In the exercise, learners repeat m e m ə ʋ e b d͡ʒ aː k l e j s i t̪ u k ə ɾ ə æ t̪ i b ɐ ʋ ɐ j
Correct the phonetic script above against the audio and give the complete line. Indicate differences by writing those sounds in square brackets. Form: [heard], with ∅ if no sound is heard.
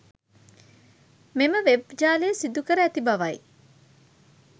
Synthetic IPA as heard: m e m ə ʋ e b d͡ʒ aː [∅] l e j s i [d̪] u k ə ɾ ə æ t̪ i b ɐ ʋ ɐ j